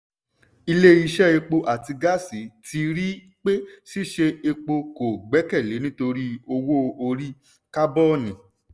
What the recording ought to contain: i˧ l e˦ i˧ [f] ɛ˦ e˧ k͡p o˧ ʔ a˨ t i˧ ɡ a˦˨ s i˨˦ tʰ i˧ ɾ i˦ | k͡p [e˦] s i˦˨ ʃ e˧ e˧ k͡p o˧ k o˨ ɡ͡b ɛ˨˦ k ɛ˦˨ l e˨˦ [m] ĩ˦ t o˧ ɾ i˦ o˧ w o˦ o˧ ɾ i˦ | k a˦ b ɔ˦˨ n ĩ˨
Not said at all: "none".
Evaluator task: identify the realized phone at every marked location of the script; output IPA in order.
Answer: ʃ, e˦, n

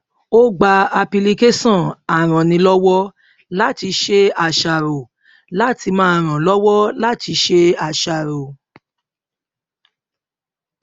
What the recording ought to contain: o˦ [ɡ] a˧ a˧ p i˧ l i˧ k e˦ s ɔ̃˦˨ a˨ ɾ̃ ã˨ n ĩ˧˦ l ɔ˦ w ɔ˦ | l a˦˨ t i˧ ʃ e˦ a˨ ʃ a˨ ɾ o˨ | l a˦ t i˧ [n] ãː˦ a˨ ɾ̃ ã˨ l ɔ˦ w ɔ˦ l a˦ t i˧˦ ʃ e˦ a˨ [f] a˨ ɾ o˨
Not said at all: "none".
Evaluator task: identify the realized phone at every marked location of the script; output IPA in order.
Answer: ɡ͡b, m, ʃ

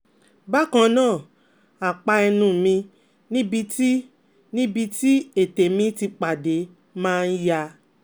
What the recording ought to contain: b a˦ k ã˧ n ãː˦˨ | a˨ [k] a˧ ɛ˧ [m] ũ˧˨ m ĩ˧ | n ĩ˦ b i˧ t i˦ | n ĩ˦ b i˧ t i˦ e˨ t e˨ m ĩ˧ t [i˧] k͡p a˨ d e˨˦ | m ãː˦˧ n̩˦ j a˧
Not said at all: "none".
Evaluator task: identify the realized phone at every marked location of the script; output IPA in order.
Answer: k͡p, n, i˧

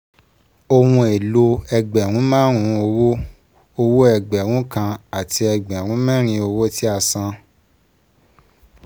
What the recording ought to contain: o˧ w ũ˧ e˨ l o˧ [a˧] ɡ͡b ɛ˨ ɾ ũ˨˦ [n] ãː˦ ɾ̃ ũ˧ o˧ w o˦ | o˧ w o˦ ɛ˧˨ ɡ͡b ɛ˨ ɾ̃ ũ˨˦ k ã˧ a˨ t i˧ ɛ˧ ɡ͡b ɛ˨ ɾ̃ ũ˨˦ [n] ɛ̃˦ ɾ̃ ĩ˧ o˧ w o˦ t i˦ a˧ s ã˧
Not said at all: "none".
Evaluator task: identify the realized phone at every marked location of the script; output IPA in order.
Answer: ɛ˧, m, m

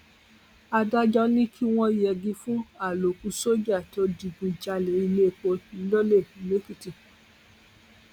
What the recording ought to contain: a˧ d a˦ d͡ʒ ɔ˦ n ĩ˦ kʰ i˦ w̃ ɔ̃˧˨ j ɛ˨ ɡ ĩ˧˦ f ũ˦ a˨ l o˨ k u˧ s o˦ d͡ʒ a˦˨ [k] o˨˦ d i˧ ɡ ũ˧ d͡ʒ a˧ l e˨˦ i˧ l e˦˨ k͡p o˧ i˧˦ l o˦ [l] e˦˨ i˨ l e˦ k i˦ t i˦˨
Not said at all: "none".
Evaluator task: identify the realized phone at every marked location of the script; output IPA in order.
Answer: t, l

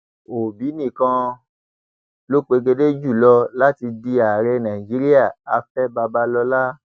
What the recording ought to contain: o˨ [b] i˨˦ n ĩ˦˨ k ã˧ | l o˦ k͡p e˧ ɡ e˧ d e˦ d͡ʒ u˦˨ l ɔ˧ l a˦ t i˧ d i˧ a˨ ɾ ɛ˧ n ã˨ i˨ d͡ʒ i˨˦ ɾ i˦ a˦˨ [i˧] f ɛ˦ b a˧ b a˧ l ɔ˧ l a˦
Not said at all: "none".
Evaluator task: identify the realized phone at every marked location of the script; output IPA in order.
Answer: b, a˧

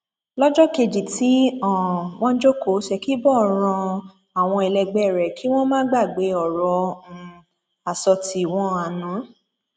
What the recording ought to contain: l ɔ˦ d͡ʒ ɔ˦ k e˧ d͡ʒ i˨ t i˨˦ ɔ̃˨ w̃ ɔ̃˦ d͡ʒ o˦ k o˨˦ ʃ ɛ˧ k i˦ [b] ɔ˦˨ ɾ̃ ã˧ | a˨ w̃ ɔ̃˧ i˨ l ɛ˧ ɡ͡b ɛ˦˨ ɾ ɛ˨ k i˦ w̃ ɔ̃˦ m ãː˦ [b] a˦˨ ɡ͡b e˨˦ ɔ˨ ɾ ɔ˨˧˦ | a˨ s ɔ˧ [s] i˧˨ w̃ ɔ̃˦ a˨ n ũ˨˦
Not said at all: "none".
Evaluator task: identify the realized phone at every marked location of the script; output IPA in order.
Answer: b, ɡ͡b, t

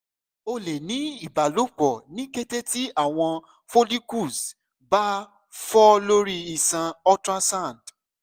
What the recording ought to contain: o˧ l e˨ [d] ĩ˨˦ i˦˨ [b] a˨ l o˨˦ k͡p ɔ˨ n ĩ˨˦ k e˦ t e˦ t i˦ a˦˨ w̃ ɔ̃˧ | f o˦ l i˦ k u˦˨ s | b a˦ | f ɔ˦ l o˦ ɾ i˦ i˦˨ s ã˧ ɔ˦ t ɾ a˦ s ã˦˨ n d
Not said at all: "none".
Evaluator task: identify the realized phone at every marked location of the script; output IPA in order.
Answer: n, b

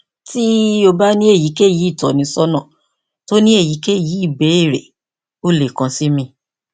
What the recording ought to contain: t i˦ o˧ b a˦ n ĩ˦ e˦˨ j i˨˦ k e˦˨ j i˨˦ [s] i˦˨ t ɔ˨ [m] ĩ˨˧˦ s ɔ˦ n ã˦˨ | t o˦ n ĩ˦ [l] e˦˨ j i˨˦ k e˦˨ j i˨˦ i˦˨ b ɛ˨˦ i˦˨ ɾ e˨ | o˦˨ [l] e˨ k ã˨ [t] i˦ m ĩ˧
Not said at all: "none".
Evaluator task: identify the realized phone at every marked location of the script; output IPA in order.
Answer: none, n, none, l, s

